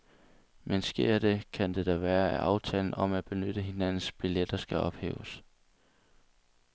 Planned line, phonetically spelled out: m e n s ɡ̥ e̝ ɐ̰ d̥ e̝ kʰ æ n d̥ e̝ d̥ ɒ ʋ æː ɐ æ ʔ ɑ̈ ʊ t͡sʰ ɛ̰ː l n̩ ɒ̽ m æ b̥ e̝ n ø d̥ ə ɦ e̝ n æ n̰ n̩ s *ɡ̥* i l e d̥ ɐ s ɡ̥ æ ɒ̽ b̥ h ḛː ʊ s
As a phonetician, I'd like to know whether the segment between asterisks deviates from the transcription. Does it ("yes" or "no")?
yes